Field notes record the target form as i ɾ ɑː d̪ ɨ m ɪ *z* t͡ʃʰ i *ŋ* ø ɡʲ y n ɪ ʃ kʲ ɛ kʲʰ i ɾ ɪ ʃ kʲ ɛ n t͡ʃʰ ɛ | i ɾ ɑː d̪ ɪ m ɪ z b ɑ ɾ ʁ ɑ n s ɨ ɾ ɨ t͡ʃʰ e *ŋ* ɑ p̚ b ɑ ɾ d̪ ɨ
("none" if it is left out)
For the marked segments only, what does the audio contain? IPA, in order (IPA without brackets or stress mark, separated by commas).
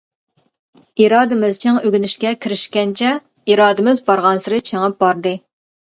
z, ŋ, ŋ